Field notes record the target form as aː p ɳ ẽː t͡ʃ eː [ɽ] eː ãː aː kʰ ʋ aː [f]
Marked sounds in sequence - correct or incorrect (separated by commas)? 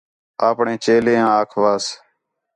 incorrect, incorrect